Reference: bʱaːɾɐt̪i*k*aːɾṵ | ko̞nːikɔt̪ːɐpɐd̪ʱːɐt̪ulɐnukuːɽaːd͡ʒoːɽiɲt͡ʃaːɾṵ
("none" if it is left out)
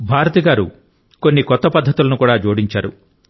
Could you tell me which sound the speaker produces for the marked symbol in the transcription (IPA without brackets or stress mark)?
ɡ